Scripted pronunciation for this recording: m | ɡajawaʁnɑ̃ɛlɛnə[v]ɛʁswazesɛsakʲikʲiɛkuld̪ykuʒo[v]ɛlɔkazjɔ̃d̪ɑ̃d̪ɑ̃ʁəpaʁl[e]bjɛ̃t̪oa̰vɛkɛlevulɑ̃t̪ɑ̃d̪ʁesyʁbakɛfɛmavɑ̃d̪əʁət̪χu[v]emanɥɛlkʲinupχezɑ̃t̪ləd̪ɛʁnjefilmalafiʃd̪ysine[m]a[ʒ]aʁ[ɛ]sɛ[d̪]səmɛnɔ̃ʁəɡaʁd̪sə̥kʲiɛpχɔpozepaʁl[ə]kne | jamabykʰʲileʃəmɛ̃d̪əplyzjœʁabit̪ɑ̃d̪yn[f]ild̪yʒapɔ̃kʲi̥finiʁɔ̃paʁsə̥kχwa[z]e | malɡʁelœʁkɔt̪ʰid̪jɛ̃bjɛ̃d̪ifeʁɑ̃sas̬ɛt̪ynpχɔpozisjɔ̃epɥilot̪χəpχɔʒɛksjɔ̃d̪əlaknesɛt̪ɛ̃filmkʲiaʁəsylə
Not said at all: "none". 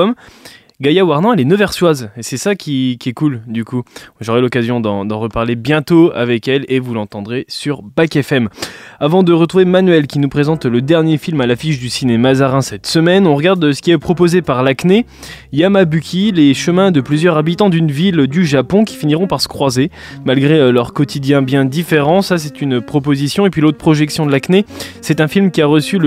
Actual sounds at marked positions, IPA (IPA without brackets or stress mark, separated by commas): v, ʁ, e, v, m, z, ɛ̃, t̪, a, v, z